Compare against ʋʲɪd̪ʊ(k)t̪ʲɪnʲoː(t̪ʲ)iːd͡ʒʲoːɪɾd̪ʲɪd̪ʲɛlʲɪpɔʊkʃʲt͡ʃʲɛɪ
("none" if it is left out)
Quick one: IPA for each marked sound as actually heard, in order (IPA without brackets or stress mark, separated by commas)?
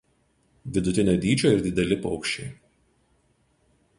none, d̪ʲ